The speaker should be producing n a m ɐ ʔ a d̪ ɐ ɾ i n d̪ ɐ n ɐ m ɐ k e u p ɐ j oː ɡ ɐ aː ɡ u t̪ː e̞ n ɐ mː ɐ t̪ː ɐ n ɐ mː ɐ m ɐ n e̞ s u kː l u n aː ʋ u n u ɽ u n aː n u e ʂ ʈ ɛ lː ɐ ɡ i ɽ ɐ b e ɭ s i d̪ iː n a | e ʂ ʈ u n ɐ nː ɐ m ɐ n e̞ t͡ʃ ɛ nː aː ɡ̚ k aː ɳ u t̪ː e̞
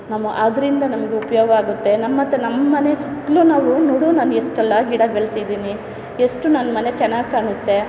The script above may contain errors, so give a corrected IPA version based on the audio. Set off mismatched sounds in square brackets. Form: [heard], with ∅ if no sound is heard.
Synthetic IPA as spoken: n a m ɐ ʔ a d̪ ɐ ɾ i n d̪ ɐ n ɐ m ɐ [ɡ] e u p ɐ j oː ɡ ɐ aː ɡ u t̪ː e̞ n ɐ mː ɐ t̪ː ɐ n ɐ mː ɐ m ɐ n e̞ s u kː l u n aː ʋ u n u ɽ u n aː n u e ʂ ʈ ɛ lː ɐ ɡ i ɽ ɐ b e ɭ s i d̪ iː n [i] | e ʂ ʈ u n ɐ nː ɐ m ɐ n e̞ t͡ʃ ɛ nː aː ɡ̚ k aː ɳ u t̪ː e̞